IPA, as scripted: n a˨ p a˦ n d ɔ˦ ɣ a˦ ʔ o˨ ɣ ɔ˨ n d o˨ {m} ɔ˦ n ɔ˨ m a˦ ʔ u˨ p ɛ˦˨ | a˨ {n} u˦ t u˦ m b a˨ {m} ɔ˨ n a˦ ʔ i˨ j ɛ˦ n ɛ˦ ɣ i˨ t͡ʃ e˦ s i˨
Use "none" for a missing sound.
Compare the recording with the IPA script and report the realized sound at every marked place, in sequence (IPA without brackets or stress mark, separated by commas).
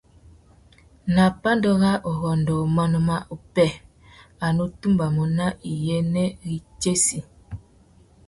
m, n, m